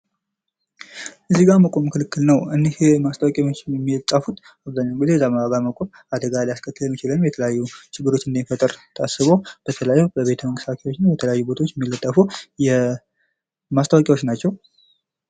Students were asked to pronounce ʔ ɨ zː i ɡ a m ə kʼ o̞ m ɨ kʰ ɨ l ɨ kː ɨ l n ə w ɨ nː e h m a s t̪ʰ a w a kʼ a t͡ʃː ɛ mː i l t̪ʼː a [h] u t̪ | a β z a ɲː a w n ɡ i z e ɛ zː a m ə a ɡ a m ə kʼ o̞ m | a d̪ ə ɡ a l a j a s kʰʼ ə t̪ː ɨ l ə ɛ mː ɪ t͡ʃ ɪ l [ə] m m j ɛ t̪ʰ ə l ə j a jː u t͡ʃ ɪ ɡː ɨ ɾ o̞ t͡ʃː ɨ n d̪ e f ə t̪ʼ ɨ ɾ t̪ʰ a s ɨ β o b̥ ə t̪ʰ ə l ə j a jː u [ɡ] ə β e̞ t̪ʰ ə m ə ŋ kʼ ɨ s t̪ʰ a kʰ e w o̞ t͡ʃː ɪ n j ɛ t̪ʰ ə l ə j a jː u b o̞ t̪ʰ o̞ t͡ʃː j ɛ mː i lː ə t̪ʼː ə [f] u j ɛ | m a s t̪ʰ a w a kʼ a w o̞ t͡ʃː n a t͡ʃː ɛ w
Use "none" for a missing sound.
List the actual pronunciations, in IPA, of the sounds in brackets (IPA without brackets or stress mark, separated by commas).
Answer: f, ə, b, f